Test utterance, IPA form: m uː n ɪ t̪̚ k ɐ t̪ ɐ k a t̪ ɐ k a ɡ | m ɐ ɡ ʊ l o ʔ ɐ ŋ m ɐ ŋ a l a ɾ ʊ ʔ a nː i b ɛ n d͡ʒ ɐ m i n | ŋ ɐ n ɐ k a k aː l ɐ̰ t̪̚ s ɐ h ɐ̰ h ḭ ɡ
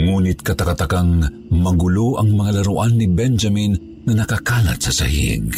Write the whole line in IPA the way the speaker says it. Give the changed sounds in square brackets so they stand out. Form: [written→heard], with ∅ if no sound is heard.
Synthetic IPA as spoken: [m→ŋ] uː n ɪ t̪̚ k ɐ t̪ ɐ k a t̪ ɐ k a [ɡ→ŋ] | m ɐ ɡ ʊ l o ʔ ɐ ŋ m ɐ ŋ a l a ɾ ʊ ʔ a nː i b ɛ n d͡ʒ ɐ m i n | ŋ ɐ n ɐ k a k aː l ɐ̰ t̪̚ s ɐ [h→s] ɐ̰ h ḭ ɡ